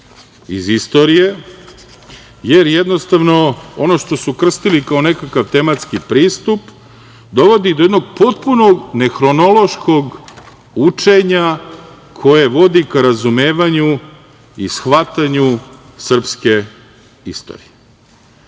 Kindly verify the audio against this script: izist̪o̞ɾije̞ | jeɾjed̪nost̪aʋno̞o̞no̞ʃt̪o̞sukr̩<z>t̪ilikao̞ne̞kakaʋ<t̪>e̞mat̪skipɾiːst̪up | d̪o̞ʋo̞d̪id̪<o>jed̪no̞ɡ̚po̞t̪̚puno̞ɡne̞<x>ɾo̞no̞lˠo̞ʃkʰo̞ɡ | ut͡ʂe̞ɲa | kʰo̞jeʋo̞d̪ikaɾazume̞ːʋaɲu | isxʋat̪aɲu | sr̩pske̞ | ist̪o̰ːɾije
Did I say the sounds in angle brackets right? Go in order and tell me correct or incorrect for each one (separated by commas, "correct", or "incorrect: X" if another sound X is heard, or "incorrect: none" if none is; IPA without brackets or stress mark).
incorrect: s, correct, correct, correct